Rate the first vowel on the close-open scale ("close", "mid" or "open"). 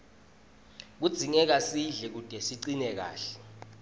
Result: close